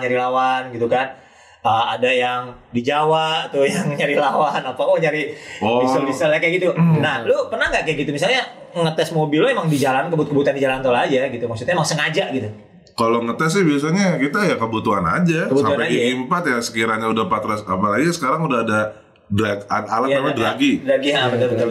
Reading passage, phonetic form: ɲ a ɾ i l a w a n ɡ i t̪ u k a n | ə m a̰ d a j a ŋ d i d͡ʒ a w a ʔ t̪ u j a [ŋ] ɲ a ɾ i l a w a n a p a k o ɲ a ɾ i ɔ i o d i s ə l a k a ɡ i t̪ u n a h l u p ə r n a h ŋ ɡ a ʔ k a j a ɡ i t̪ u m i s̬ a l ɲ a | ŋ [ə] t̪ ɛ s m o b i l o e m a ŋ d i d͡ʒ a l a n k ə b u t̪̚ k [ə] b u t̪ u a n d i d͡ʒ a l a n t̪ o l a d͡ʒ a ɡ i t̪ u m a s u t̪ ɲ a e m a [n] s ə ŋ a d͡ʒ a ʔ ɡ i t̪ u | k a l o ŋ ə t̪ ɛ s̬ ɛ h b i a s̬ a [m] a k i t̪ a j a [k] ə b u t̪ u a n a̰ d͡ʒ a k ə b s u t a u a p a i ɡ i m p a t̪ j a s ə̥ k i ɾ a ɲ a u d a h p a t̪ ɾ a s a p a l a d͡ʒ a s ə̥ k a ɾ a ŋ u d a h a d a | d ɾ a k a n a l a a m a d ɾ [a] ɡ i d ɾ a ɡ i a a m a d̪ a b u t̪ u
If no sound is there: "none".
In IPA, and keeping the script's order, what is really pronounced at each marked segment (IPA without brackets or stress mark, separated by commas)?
ŋ, ə, ə, ŋ, ɲ, k, a